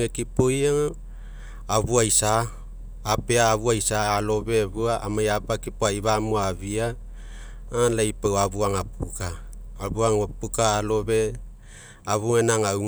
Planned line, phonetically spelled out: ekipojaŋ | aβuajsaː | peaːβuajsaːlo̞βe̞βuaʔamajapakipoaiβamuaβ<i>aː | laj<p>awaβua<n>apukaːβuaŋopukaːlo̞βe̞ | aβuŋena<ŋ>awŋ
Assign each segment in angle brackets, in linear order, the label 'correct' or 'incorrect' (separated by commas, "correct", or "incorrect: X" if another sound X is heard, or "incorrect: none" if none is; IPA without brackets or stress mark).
correct, correct, incorrect: ŋ, correct